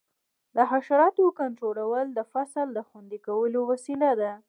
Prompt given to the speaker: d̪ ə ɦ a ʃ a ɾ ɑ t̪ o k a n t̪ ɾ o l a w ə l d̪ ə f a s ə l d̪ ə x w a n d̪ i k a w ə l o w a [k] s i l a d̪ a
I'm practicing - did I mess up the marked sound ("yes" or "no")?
yes